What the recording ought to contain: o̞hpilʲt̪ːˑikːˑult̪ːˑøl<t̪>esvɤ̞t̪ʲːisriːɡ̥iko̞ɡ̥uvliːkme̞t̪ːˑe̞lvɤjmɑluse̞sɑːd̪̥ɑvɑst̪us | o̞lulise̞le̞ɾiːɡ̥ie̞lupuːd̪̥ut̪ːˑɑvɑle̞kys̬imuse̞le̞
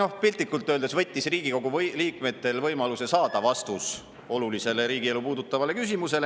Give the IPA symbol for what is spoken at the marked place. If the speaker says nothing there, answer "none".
d̪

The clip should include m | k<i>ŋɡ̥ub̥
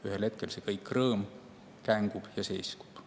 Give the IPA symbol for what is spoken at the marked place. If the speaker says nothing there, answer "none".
æ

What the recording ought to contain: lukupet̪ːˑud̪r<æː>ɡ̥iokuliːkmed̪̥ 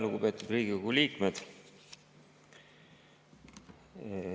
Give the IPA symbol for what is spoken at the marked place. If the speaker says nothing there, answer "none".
iː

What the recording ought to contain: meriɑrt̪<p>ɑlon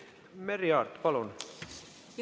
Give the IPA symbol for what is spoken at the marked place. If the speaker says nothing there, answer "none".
p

